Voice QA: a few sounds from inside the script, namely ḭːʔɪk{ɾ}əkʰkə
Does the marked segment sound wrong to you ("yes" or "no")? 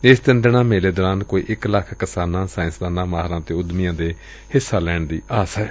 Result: yes